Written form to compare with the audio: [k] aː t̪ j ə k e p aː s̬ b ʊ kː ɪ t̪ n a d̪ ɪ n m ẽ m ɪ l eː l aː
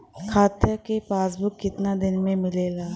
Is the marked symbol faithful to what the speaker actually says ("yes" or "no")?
no